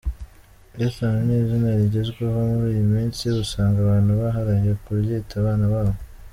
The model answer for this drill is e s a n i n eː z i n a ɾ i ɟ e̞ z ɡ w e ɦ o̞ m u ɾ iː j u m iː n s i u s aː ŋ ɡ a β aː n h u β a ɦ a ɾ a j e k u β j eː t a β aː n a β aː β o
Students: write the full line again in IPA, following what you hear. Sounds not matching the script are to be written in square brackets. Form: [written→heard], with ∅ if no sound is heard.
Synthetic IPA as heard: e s a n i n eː z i n a ɾ i ɟ e̞ z ɡ w e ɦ o̞ m u ɾ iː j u m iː n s i u s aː ŋ ɡ a β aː n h u β a ɦ a ɾ a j e k u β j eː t a β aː n a β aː β o